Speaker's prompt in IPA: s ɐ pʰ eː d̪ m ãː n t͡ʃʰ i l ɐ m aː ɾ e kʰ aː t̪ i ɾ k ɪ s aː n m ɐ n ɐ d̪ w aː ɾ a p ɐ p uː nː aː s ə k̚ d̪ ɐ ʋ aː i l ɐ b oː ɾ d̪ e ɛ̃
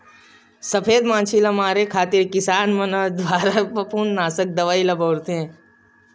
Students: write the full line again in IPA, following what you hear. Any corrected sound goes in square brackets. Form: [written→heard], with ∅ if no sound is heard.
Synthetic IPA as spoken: s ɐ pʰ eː d̪ m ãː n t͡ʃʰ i l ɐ m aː ɾ e kʰ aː t̪ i ɾ k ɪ s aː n m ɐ n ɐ d̪ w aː ɾ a p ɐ p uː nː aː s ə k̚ d̪ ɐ ʋ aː i l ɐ b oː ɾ [d̪→t̪] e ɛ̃